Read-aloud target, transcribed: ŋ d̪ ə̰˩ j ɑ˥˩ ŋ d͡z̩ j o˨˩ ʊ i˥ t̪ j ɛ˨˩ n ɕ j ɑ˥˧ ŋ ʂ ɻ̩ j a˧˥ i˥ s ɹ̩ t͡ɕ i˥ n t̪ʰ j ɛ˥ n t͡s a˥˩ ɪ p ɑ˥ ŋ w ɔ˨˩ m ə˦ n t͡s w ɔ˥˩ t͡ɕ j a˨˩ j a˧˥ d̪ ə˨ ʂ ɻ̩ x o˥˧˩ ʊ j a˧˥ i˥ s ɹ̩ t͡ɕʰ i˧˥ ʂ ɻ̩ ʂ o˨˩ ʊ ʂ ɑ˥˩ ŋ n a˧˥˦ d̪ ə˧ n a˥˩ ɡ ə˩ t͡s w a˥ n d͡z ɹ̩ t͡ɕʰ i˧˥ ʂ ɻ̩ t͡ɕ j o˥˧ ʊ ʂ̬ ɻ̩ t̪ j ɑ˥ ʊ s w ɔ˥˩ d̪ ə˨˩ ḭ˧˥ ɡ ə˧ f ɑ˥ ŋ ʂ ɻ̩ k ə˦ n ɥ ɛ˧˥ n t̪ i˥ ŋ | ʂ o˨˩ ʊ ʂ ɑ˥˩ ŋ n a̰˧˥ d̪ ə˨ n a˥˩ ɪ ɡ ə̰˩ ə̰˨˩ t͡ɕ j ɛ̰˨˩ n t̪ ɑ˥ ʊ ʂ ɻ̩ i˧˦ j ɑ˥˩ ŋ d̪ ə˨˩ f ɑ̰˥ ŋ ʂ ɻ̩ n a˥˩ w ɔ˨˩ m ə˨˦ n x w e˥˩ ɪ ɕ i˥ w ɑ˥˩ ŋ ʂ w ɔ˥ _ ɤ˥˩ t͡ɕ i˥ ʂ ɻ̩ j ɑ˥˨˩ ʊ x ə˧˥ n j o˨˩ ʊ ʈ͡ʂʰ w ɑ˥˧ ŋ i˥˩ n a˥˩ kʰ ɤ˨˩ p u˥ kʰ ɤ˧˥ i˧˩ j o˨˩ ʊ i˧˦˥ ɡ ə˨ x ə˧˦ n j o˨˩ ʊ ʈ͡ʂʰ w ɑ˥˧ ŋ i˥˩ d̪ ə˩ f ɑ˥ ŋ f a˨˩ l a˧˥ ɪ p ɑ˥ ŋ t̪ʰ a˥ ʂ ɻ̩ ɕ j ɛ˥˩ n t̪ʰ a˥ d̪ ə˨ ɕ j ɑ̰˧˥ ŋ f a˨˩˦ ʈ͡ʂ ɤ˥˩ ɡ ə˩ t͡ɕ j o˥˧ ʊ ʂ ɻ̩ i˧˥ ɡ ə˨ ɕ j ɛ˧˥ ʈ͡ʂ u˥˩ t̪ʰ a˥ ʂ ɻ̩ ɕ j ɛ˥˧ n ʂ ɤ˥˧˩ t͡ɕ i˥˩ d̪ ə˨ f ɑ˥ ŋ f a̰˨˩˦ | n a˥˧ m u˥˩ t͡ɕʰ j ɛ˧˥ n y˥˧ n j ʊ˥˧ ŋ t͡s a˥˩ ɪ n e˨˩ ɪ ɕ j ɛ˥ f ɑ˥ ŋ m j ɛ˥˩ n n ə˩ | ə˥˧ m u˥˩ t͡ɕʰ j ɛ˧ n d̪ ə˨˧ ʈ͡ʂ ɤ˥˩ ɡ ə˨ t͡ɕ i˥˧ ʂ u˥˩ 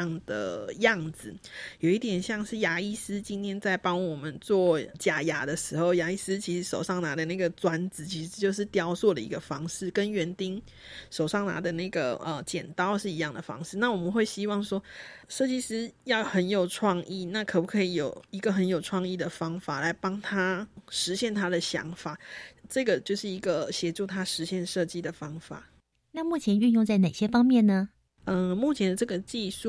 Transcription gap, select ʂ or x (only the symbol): ʂ